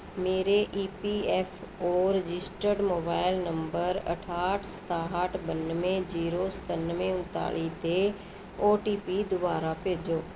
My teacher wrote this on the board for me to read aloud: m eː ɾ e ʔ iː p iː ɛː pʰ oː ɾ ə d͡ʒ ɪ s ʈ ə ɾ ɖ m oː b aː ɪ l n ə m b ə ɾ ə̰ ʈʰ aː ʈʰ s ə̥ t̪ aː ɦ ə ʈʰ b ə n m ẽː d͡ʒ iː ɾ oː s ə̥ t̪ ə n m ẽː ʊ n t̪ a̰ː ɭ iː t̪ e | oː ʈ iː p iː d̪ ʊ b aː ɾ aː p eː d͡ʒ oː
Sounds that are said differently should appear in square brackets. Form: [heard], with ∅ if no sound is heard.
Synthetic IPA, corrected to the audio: m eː ɾ e ʔ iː p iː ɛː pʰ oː ɾ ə d͡ʒ ɪ s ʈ ə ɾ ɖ m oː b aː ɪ l n ə m b ə ɾ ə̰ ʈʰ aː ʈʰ s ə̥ t̪ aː ɦ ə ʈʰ b ə n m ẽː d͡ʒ iː ɾ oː s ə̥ t̪ ə n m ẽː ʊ n t̪ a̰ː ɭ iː t̪ e | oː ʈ iː p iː d̪ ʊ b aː ɾ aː p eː d͡ʒ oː